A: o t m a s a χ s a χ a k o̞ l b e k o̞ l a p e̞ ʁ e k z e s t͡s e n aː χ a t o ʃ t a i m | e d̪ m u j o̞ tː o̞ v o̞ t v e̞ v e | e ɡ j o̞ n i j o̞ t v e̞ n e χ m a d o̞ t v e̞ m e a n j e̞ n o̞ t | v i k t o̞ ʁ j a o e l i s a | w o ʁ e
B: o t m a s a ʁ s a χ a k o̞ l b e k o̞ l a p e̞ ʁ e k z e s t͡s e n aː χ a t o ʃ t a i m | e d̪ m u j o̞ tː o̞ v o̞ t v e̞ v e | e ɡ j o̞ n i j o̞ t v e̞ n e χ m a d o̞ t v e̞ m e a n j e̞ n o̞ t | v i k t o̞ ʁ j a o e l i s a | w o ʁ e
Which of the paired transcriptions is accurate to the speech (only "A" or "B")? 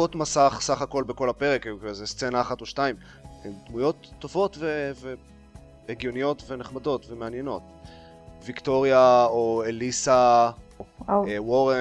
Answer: A